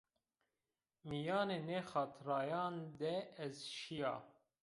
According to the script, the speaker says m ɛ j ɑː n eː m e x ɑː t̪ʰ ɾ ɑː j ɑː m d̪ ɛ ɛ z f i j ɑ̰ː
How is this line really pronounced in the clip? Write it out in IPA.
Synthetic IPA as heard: m i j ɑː n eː n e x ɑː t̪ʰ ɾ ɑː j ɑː n d̪ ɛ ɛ z ʃ i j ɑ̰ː